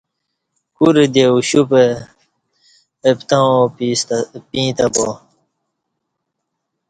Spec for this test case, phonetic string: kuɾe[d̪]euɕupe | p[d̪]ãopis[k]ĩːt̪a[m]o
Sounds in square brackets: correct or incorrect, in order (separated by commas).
correct, incorrect, incorrect, incorrect